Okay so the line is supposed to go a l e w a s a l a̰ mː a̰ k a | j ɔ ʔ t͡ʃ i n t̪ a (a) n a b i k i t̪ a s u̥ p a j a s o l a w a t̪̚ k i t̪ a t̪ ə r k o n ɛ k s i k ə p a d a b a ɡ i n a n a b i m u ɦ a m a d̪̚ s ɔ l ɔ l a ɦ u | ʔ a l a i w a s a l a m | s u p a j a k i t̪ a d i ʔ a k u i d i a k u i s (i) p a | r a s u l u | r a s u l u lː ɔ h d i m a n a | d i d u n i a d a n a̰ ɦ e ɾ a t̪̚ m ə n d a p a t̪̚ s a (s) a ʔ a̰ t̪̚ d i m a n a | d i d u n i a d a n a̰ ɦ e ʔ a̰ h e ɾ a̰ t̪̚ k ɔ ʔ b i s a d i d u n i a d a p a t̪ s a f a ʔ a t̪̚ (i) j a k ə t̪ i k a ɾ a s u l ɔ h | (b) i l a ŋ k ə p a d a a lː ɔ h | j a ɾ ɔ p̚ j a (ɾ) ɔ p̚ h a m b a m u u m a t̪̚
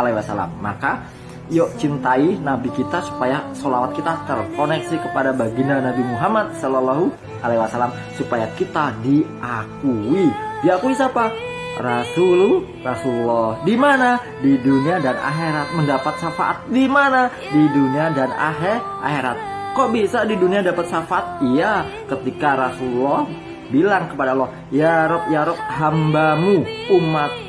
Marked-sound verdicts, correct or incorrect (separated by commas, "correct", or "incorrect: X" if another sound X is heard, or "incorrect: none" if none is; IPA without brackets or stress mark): incorrect: i, incorrect: a, incorrect: f, correct, correct, correct